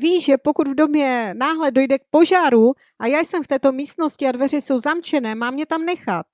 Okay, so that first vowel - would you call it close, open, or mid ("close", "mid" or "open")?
close